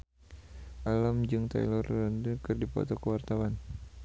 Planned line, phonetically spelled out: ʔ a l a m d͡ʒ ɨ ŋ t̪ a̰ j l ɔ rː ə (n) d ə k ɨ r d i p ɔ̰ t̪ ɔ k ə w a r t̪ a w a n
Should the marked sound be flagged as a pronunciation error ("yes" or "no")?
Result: no